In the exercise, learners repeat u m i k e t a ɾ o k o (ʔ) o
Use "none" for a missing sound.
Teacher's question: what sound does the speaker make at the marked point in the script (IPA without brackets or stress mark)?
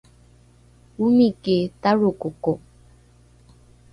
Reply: k